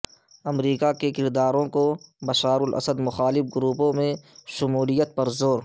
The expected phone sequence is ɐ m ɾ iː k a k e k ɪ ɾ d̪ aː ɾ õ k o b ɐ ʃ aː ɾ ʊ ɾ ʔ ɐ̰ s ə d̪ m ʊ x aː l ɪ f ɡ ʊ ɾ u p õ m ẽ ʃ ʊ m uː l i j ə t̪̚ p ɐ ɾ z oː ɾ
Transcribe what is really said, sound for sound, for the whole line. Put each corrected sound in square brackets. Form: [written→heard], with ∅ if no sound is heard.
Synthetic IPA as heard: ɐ m ɾ iː k a k e k ɪ ɾ d̪ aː ɾ õ k o b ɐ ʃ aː ɾ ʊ [ɾ→l] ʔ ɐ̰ s ə d̪ m ʊ x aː l ɪ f ɡ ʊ ɾ [u→uː] p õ m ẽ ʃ ʊ m uː l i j ə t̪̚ p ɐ ɾ z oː ɾ